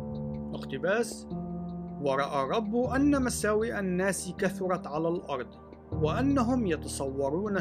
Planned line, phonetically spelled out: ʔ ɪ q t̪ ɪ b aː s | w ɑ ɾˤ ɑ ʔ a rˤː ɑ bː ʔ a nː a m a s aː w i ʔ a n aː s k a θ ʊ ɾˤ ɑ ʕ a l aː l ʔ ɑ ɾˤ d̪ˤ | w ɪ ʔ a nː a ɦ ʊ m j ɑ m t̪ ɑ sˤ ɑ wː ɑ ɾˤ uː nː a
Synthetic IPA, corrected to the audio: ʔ ɪ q t̪ ɪ b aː s | w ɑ ɾˤ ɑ ʔ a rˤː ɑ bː ʔ a nː a m a s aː w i ʔ a nː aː s k a θ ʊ ɾˤ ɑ ʕ a l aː l ʔ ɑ ɾˤ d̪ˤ | w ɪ ʔ a nː a ɦ ʊ m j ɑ t̪ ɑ sˤ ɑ wː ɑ ɾˤ uː n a